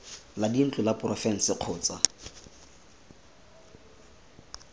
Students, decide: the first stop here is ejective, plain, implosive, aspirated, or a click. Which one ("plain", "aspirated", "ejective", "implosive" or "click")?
plain